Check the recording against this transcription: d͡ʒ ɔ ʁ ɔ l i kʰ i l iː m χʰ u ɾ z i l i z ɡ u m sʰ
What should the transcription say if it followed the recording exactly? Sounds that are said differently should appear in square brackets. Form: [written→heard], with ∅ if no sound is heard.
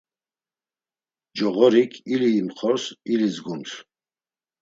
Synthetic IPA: d͡ʒ ɔ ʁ ɔ [l→ɾ] i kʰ i l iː m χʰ [u→ɔ] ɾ [z→s] i l i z ɡ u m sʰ